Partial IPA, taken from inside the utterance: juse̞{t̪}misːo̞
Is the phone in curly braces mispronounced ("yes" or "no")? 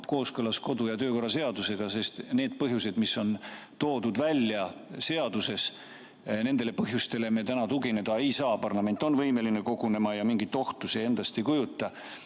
yes